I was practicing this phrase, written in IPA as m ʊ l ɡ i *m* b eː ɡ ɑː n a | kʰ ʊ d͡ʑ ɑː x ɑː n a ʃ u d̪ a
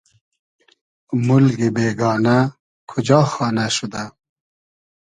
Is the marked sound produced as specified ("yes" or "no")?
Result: no